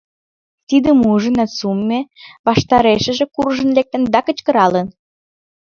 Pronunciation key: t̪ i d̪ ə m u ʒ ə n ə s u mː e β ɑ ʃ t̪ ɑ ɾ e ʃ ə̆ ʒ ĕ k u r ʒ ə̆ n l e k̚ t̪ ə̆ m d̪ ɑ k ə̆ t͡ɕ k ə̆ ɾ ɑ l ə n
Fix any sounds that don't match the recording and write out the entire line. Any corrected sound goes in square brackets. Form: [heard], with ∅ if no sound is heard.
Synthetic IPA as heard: t̪ i d̪ ə m u ʒ ə n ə s u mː e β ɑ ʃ t̪ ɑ ɾ e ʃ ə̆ ʒ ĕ k u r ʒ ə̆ n l e k̚ t̪ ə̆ [n] d̪ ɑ k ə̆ t͡ɕ k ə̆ ɾ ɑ l ə n